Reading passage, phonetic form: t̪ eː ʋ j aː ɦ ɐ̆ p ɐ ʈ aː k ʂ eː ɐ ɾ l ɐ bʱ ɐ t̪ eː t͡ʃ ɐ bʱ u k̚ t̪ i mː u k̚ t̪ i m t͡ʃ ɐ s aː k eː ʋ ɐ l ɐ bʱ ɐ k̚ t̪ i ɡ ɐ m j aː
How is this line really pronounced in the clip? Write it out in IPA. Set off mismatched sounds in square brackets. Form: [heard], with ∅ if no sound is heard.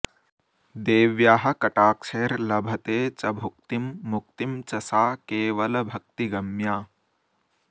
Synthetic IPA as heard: [d̪] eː ʋ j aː ɦ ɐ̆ [k] ɐ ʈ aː k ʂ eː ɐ ɾ l ɐ bʱ ɐ t̪ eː t͡ʃ ɐ bʱ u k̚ t̪ i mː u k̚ t̪ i m t͡ʃ ɐ s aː k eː ʋ ɐ l ɐ bʱ ɐ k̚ t̪ i ɡ ɐ m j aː